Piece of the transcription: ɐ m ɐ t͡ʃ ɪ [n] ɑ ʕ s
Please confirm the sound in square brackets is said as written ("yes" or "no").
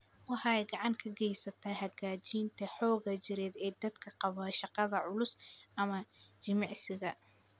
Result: no